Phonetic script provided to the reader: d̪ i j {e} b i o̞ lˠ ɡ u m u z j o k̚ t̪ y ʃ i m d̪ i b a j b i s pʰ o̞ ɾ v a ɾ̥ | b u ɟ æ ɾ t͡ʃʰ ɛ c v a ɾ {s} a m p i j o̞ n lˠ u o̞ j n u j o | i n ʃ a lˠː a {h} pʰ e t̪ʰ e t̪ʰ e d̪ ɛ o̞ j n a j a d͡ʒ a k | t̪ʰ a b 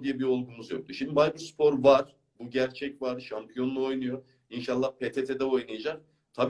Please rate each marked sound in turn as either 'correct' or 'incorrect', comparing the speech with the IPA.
incorrect, incorrect, correct

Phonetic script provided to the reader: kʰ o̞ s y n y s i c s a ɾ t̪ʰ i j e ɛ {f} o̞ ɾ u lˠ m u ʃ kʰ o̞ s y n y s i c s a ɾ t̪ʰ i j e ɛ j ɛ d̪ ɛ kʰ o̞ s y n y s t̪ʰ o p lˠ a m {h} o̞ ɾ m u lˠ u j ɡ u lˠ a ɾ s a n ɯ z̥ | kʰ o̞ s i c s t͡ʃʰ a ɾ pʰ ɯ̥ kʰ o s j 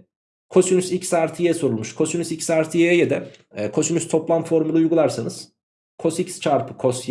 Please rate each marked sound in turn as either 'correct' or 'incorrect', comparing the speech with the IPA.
incorrect, incorrect

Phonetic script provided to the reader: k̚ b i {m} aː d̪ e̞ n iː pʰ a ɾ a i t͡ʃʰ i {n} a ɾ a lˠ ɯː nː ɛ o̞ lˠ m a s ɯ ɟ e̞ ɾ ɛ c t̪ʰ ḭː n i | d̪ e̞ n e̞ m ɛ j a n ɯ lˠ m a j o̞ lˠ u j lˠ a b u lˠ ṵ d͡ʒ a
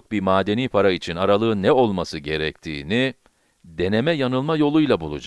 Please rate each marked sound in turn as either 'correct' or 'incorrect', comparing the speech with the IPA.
correct, correct

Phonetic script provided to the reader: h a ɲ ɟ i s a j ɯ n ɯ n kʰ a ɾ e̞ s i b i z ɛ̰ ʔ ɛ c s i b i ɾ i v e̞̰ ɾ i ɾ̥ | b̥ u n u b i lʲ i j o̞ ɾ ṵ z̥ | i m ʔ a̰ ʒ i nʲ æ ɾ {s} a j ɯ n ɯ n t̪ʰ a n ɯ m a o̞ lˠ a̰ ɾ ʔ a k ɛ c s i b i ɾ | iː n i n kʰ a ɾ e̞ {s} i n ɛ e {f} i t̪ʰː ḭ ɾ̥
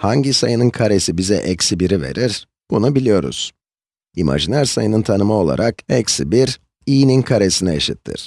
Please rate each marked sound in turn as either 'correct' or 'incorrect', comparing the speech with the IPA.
correct, correct, incorrect

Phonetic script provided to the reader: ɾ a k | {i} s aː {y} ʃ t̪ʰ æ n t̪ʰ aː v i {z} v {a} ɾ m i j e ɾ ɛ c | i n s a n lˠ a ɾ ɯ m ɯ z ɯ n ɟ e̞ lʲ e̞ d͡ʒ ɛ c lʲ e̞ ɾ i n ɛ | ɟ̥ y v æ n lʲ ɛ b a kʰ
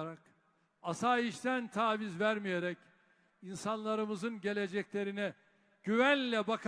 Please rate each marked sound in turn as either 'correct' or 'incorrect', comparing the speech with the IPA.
incorrect, incorrect, correct, incorrect

